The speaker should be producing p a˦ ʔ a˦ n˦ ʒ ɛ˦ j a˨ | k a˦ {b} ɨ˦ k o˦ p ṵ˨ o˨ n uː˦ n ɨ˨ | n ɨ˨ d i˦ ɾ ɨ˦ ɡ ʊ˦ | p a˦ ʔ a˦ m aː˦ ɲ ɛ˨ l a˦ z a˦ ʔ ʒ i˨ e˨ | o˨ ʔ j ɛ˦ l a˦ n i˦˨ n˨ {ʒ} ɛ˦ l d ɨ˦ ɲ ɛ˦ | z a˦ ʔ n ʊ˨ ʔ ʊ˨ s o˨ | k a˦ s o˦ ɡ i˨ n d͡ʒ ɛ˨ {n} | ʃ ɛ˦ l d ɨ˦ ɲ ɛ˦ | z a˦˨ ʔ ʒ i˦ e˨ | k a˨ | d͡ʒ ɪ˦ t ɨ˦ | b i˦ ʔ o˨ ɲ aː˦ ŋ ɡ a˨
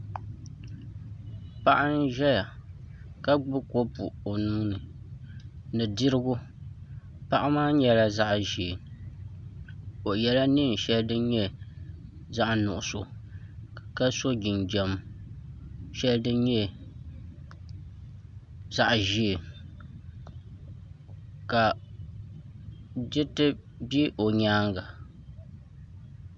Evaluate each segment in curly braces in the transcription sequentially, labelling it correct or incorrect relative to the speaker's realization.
incorrect: ɡ͡b, incorrect: ʃ, incorrect: m

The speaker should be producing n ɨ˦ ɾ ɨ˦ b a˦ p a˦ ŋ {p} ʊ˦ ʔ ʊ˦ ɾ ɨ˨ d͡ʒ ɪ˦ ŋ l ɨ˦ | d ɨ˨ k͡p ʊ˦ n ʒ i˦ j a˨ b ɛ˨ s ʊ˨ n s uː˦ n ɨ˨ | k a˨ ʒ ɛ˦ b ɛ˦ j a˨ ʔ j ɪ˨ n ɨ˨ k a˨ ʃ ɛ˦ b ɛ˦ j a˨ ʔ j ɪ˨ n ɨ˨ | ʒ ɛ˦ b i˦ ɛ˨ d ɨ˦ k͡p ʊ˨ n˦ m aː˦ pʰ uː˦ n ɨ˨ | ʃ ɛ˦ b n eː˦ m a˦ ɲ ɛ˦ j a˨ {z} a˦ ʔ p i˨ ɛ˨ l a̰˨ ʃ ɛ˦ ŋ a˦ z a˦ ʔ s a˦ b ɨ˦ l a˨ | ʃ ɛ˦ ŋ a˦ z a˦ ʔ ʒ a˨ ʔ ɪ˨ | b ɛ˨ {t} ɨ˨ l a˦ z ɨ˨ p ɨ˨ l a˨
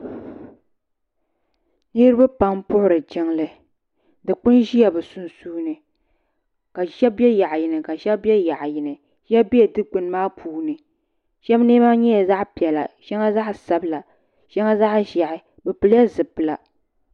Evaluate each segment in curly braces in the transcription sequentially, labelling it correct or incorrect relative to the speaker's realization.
correct, correct, incorrect: p

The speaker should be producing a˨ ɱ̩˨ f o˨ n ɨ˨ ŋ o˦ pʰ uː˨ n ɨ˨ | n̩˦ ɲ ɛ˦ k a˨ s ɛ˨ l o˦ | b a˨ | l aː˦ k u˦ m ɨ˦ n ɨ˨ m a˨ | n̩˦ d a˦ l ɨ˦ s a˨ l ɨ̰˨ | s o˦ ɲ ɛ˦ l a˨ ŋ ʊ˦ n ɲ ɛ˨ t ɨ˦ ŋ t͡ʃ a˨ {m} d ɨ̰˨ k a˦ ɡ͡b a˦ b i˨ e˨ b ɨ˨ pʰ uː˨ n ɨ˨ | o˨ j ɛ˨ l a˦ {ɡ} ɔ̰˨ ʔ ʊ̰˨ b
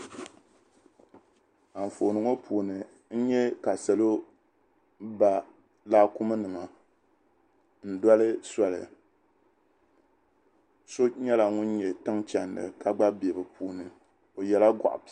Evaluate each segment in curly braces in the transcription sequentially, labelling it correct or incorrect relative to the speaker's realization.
incorrect: n, correct

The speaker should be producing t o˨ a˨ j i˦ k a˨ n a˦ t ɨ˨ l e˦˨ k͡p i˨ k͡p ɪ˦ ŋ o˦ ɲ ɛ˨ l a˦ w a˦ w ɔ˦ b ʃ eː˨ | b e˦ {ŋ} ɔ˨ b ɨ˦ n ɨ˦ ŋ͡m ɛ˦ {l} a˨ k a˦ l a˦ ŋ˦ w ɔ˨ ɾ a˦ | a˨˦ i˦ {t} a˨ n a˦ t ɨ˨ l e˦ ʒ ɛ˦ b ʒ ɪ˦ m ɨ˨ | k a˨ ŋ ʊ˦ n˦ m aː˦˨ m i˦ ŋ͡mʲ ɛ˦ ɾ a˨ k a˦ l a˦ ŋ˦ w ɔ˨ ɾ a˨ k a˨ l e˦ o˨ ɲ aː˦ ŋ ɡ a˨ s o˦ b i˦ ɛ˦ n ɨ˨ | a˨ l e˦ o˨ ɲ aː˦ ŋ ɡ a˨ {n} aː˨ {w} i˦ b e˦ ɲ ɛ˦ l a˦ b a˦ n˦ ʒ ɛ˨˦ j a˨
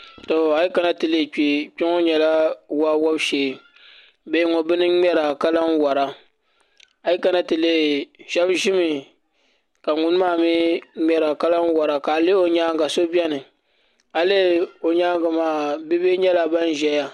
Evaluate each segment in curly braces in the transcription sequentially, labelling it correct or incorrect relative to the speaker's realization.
correct, incorrect: ɾ, incorrect: k, incorrect: m, incorrect: b

